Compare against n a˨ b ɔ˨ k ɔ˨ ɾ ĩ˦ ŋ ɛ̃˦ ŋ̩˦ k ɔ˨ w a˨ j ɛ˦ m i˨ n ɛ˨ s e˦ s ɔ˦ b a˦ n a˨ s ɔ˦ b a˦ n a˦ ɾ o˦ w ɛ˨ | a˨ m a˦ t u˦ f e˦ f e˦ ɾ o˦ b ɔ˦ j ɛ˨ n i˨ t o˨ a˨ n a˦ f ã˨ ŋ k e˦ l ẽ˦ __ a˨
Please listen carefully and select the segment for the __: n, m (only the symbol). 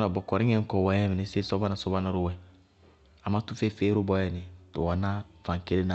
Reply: n